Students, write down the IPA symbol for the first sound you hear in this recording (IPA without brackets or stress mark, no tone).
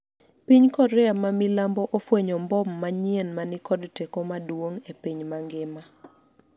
p